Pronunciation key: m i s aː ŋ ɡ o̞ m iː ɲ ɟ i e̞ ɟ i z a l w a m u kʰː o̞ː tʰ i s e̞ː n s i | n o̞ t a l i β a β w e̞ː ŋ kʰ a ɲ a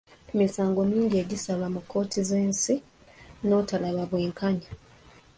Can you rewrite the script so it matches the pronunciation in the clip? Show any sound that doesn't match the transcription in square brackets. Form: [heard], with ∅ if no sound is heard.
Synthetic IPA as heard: m i s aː ŋ ɡ o̞ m iː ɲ ɟ i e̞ ɟ i [s] a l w a m u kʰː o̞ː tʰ i [z] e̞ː n s i | n o̞ t a l [a] β a β w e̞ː ŋ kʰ a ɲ a